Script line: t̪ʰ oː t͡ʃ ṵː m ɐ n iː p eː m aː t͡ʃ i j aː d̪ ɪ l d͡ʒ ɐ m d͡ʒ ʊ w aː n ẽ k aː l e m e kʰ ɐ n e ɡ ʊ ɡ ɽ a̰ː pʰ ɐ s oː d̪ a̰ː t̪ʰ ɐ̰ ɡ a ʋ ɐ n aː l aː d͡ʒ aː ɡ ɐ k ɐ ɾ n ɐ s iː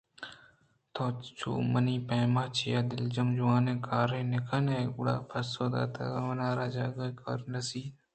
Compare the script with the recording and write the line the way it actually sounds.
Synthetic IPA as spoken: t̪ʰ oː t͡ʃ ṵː m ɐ n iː p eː m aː t͡ʃ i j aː d̪ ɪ l d͡ʒ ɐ m d͡ʒ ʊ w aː n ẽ k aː ɾ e n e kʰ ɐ n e ɡ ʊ ɽ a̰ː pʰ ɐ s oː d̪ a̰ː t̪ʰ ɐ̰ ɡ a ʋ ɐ n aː ɾ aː d͡ʒ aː ɡ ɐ k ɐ ɾ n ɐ s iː

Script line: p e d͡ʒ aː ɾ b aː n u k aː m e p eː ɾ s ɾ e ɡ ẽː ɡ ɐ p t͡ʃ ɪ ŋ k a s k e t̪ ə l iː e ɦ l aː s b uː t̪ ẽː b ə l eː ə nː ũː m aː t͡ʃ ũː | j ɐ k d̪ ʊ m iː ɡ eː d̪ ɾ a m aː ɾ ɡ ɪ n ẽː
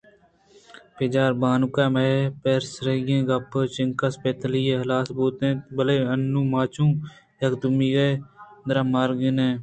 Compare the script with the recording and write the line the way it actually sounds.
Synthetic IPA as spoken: p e d͡ʒ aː ɾ b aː n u k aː m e p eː ɾ s ɾ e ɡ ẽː ɡ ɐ p t͡ʃ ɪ ŋ k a s p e t̪ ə l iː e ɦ l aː s b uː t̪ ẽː b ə l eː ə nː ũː m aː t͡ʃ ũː | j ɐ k d̪ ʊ m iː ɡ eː d̪ ɾ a m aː ɾ ɡ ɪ n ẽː

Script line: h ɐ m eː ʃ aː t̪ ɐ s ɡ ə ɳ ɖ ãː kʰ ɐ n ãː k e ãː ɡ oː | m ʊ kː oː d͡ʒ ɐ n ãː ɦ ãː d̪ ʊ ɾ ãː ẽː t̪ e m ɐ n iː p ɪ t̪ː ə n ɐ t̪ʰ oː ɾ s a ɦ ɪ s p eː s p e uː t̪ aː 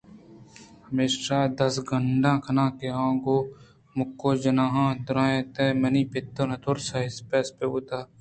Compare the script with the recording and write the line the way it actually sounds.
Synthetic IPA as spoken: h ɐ m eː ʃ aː d̪ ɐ s ɡ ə ɳ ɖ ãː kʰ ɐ n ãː k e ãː ɡ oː | m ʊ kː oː d͡ʒ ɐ n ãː ɦ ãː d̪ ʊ ɾ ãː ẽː t̪ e m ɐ n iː p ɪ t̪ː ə n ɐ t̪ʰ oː ɾ s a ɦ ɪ s p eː s p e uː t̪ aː

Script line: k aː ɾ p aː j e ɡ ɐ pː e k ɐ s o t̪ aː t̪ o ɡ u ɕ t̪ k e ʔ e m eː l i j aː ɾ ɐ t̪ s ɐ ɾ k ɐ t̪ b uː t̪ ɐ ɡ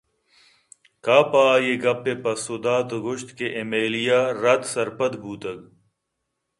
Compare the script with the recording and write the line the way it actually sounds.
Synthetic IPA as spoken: k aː p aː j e ɡ ɐ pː e p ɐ s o d̪ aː t̪ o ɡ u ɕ t̪ k e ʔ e m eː l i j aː ɾ ɐ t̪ s ɐ ɾ p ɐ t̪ b uː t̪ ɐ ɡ

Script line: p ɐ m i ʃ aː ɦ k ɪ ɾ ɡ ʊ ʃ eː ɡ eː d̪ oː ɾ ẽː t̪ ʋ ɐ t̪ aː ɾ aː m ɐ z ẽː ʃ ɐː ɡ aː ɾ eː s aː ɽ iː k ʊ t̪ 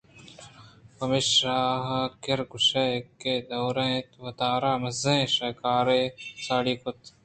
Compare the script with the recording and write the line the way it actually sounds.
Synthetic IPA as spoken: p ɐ m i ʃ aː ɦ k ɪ ɾ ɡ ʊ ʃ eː k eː d̪ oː ɾ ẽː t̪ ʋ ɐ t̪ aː ɾ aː m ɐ z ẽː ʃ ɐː k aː ɾ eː s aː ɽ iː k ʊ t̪

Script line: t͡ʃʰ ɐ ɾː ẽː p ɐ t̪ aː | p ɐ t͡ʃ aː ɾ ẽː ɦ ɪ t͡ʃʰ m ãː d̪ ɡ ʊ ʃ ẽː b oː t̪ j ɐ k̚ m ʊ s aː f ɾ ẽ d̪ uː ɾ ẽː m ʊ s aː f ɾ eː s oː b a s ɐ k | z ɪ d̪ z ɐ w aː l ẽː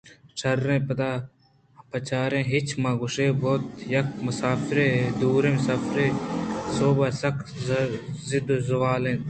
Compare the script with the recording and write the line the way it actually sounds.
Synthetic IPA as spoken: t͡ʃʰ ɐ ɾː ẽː p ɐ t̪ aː | p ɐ t͡ʃ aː ɾ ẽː ɦ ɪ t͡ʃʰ m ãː ɡ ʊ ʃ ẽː b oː t̪ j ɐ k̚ m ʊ s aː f ɾ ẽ d̪ uː ɾ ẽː m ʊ s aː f ɾ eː s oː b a s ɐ k | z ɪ d̪ z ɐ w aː l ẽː

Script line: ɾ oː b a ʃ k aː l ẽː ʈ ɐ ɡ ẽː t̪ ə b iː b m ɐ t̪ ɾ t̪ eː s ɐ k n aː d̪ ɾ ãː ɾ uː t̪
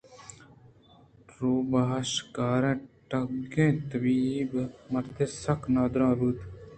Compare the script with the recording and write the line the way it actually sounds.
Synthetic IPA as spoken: ɾ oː b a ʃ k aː ɾ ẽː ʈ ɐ ɡ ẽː t̪ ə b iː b m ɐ ɾ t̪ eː s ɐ k n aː d̪ ɾ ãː ɾ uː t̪

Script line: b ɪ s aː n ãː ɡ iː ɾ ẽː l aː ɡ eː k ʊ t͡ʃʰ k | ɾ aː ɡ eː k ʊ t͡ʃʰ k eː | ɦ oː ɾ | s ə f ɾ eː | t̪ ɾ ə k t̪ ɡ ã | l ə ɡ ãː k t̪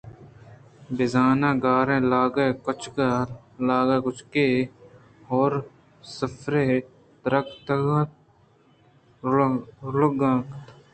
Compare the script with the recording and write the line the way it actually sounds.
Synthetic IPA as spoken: b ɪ z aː n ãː ɡ aː ɾ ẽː l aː ɡ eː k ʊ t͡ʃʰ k | l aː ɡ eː k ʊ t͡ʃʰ k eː | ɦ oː ɾ | s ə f ɾ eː | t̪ ɾ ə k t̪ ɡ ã | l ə ɡ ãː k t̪

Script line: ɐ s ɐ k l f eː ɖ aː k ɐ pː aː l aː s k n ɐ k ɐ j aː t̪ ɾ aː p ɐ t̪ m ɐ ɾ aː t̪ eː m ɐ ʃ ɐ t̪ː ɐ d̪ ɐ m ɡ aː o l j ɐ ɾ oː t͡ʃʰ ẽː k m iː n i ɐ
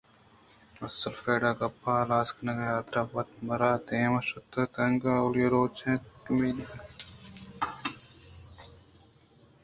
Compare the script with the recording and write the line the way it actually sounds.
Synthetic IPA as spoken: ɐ s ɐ l f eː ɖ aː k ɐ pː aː l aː s k n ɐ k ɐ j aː t̪ ɾ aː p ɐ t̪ m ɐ ɾ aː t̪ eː m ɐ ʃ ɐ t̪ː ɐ t̪ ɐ ŋ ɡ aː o l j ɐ ɾ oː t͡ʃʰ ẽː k m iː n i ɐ

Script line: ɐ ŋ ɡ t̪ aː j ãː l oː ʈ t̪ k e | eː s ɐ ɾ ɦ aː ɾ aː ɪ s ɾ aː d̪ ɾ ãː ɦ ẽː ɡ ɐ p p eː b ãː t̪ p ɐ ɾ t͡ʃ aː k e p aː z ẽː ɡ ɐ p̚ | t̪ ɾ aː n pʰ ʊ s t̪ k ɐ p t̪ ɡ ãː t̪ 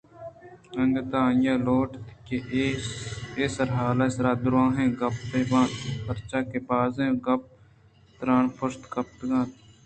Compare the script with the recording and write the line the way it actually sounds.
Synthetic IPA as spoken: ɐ ŋ ɡ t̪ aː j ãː l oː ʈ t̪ k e | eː s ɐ ɾ ɦ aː l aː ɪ s ɾ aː d̪ ɾ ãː ɦ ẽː ɡ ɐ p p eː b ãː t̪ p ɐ ɾ t͡ʃ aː k e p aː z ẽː ɡ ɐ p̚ | t̪ ɾ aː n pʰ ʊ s t̪ k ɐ p t̪ ɡ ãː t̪

